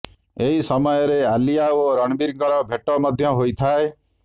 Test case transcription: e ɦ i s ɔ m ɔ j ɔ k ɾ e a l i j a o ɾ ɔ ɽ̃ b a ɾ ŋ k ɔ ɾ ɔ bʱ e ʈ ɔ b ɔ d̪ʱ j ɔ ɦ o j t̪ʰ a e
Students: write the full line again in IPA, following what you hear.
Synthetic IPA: e ɦ i s ɔ m ɔ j ɔ ɾ e a l i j a o ɾ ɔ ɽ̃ b i ɾ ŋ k ɔ ɾ ɔ bʱ e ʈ ɔ m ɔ d̪ʱ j ɔ ɦ o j t̪ʰ a e